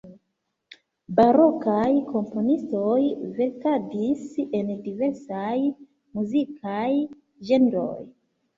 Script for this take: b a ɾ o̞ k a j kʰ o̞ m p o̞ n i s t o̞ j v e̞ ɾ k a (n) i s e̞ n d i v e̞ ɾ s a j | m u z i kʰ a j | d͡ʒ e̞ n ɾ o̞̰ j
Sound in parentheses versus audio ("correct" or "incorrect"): incorrect